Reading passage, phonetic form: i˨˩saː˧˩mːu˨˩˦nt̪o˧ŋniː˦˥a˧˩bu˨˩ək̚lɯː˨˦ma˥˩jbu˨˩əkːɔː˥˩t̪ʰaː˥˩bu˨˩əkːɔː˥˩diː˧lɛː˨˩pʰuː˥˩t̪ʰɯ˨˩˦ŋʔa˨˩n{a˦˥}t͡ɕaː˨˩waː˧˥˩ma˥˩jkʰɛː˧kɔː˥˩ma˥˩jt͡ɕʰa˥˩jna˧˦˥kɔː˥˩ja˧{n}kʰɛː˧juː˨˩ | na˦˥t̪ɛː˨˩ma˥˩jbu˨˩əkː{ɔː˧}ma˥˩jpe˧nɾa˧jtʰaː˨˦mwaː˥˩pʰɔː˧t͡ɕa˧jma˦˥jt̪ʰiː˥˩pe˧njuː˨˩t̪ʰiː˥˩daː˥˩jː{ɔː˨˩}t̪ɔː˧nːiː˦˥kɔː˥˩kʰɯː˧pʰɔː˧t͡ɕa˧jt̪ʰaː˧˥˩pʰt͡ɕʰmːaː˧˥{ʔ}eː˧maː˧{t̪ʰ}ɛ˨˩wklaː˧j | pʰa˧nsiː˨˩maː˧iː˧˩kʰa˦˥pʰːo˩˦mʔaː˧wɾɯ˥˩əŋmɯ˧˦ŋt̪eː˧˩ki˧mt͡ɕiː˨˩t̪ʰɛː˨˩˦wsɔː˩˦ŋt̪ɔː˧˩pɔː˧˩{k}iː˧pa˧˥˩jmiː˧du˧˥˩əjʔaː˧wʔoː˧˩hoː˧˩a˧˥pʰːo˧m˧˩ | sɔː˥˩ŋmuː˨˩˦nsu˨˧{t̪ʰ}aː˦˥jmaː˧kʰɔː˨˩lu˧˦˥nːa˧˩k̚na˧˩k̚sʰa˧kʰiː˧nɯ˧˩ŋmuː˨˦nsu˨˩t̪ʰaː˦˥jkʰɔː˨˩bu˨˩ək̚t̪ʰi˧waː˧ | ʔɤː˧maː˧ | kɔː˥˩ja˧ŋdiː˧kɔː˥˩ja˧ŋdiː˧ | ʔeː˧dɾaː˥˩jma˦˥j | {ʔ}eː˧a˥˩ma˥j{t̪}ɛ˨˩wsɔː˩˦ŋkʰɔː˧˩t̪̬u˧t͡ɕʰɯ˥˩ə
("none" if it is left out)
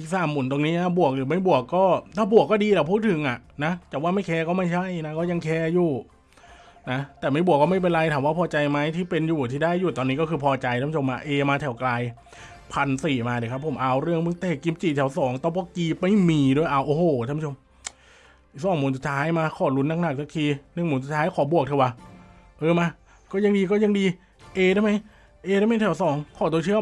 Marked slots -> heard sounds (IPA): a˦˥, ŋ, ɔː˥˩, uː˨˩, ʔ, t̪ʰ, k, t̪ʰ, ʔ, t̪ʰ

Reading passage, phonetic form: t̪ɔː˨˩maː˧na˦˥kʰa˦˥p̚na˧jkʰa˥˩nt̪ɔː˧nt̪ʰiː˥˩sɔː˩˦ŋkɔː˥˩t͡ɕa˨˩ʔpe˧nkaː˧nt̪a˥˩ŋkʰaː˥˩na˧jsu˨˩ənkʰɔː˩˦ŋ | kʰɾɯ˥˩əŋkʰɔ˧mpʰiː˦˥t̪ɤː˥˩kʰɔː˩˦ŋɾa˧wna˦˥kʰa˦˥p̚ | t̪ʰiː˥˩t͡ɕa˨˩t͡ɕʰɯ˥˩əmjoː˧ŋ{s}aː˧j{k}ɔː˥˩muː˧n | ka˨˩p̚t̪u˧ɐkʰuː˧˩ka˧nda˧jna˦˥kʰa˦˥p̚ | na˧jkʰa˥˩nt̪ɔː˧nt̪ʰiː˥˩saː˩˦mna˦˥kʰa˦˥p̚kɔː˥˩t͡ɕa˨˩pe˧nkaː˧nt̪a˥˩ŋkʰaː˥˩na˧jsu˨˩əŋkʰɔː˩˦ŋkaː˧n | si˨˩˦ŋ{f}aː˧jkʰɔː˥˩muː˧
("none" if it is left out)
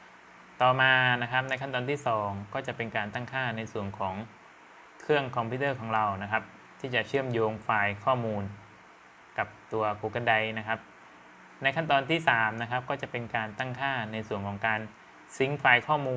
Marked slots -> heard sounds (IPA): f, kʰ, f

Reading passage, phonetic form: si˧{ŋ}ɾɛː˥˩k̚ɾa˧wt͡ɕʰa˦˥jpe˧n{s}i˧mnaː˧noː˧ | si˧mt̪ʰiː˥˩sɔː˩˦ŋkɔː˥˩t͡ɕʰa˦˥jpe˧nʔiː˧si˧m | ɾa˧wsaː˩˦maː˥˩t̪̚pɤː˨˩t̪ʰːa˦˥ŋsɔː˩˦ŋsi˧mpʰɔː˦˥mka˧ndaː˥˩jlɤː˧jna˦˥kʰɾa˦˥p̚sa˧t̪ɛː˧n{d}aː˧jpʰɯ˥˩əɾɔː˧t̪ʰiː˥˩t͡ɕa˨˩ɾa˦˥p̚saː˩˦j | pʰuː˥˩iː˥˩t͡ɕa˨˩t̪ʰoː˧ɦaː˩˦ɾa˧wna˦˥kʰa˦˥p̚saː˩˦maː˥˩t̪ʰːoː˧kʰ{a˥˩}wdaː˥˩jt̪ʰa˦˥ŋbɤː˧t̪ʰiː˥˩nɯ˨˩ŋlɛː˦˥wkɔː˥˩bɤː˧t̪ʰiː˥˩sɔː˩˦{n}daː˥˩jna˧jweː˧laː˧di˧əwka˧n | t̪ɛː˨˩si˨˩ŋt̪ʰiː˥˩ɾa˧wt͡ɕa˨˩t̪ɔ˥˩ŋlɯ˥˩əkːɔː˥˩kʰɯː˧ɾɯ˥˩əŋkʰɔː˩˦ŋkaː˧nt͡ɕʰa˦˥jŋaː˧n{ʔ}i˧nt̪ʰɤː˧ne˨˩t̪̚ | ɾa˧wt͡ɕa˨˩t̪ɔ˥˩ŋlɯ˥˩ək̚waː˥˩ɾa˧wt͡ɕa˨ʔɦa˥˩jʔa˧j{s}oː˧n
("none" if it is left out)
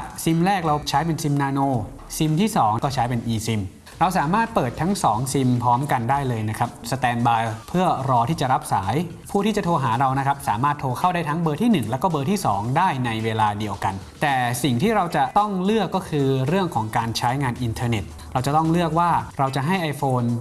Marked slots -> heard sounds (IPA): m, s, b, a˥˩, ŋ, ʔ, f

